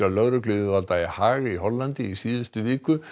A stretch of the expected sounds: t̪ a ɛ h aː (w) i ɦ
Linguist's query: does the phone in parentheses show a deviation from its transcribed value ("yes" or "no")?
yes